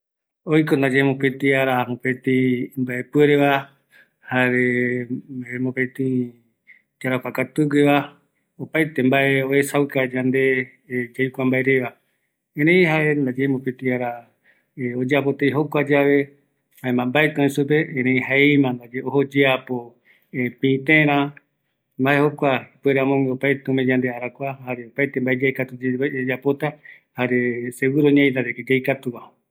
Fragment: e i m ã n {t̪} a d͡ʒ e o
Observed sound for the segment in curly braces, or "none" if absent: d̪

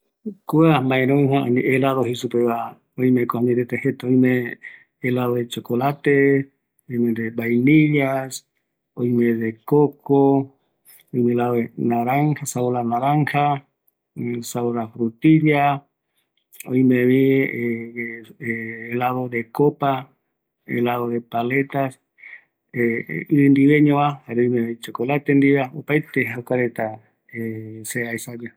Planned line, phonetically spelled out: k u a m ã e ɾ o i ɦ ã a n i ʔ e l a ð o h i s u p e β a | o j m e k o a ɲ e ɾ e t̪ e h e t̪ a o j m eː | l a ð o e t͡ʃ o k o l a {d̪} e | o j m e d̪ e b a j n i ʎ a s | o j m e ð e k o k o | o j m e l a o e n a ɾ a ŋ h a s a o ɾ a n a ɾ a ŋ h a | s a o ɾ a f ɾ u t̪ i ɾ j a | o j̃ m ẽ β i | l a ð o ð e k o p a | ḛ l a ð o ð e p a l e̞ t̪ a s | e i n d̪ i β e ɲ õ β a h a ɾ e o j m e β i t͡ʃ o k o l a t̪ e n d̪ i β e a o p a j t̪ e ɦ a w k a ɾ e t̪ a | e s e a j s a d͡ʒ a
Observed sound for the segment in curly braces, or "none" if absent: t̪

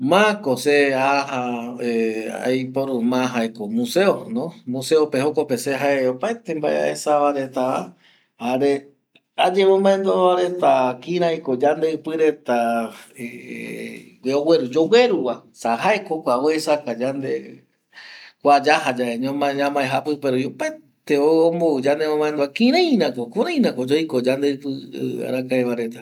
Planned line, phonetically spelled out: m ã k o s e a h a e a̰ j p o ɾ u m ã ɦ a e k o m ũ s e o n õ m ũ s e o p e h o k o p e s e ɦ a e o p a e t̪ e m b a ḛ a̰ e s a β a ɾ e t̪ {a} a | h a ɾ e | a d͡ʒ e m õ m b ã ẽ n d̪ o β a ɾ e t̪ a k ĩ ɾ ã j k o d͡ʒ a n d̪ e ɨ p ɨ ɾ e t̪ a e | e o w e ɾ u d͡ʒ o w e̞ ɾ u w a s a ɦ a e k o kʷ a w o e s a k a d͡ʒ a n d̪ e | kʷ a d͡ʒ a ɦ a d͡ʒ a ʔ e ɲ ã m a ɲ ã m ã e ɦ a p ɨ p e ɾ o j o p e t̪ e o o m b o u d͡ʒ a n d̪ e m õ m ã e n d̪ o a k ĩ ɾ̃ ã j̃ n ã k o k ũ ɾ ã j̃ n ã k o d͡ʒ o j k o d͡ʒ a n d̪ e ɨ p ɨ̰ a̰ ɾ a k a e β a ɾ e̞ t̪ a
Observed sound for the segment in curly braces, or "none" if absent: a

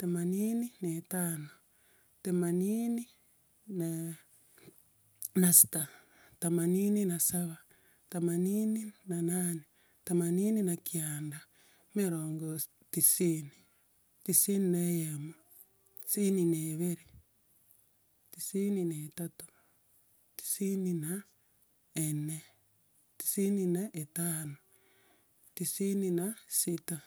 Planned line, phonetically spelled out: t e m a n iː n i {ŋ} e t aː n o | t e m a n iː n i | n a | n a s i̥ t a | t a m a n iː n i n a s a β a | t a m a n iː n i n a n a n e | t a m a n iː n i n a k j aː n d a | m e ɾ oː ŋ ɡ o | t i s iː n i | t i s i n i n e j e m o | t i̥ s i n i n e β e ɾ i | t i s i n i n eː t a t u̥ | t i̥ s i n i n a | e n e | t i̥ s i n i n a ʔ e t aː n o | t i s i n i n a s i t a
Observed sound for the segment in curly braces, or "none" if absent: n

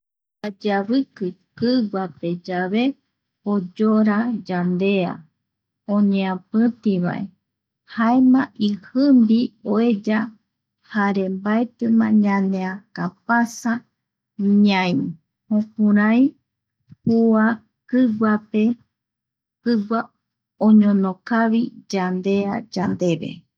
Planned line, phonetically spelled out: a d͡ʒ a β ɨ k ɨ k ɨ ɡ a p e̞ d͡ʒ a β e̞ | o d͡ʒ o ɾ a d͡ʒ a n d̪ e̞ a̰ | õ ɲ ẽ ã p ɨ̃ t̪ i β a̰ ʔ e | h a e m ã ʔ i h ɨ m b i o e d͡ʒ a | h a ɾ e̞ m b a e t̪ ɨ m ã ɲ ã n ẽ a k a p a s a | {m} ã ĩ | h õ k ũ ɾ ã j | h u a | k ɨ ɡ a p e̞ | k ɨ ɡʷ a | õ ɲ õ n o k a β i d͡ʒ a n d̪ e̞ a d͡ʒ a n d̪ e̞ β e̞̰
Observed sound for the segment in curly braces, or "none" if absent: ɲ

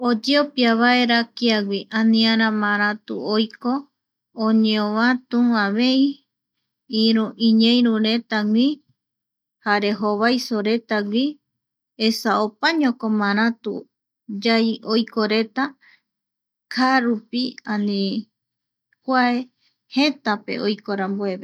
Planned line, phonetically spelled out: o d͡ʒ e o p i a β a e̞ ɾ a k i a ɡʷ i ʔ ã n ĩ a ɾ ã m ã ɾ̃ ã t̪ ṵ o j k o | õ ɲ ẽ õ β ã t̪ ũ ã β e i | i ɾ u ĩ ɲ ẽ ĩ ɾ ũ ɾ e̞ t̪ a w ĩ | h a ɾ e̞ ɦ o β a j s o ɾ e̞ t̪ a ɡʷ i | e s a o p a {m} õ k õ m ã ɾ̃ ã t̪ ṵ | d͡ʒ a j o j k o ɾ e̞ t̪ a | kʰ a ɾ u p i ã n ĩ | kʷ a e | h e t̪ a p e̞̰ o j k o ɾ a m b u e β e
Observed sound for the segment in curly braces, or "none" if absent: ɲ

